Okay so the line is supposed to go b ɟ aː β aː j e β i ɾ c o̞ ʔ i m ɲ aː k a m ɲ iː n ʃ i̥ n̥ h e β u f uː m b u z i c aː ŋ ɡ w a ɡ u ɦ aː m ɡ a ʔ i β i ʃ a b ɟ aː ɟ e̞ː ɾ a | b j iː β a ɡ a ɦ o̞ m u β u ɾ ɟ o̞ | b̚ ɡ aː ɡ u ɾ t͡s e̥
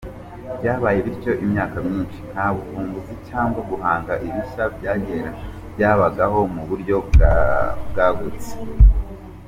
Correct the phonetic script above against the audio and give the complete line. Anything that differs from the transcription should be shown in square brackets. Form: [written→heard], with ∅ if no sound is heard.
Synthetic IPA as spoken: b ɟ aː β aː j e β i ɾ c o̞ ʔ i m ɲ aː k a m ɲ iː n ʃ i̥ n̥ h [e→a] β u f uː m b u z i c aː ŋ ɡ w a ɡ u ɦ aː [m→ŋ] ɡ a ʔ i β i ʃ a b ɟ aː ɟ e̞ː ɾ a | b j [iː→aː] β a ɡ a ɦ o̞ m u β u ɾ ɟ o̞ | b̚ ɡ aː ɡ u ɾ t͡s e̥